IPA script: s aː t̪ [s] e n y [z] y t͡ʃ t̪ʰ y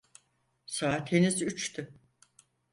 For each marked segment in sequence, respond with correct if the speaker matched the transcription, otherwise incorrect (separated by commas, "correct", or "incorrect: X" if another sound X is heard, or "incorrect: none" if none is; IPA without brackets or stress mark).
incorrect: h, correct